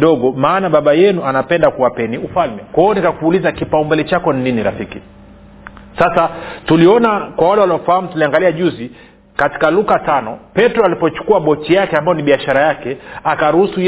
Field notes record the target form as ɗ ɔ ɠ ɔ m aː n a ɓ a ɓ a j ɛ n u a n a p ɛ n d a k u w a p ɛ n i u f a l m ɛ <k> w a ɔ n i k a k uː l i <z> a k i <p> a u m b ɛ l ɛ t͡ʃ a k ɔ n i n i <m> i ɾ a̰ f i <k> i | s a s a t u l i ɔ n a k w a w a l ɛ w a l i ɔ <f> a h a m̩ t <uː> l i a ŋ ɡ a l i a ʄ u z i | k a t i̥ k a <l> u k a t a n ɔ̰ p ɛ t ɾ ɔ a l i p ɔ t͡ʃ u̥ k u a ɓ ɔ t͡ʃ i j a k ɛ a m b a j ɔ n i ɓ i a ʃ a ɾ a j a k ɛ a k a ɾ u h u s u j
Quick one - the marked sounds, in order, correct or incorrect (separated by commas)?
correct, correct, correct, incorrect, correct, correct, incorrect, correct